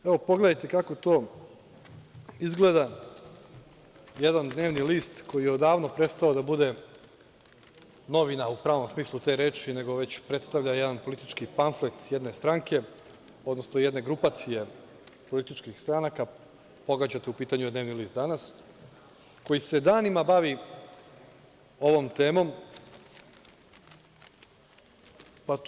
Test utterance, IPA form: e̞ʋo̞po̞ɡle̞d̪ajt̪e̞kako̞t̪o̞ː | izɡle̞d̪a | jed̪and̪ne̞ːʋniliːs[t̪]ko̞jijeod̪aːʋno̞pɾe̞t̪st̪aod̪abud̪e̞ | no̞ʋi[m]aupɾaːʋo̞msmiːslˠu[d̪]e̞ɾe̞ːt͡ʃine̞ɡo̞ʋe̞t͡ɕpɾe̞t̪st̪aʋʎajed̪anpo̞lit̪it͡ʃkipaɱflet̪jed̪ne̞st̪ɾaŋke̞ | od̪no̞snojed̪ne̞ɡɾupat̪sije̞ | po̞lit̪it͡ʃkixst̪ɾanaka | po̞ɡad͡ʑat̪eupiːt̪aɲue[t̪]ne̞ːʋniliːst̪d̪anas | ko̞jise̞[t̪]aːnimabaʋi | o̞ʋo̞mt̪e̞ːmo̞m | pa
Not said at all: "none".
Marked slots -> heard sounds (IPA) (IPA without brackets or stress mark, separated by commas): t̪, n, t̪, d̪, d̪